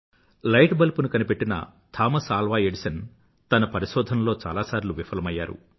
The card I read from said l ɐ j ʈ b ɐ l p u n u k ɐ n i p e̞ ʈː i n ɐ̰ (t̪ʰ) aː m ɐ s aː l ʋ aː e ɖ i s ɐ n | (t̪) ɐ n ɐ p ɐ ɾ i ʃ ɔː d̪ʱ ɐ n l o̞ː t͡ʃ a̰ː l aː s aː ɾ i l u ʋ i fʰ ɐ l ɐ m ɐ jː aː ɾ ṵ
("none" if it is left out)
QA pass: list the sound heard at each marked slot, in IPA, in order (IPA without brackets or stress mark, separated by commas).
t̪ʰ, t̪